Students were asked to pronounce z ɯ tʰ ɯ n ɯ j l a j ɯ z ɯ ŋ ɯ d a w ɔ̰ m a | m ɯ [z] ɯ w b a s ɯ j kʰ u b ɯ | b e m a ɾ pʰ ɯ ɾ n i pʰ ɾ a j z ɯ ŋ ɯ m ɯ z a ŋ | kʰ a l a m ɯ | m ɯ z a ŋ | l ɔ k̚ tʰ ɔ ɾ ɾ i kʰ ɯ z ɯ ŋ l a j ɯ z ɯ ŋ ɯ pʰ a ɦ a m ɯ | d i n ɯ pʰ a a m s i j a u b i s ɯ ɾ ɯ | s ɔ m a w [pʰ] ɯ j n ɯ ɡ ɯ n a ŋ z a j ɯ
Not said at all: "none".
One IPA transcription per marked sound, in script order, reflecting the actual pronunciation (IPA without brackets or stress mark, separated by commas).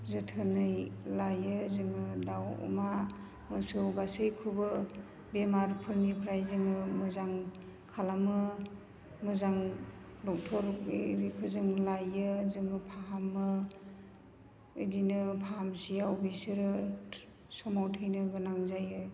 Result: s, tʰ